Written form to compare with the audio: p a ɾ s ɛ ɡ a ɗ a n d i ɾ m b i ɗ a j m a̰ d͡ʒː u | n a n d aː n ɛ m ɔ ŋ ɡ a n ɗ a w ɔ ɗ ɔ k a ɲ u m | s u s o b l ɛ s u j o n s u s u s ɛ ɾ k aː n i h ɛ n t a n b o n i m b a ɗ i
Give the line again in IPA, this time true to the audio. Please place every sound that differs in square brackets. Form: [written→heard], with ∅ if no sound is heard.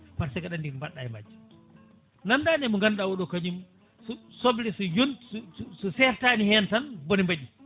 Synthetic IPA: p a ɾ s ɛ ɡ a ɗ a n d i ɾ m b [i→a] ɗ a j m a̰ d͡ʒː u | n a n d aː n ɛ m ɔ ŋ ɡ a n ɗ a w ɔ ɗ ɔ k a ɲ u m | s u s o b l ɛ s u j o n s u s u s ɛ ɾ [k→t] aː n i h ɛ n t a n b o n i m b a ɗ i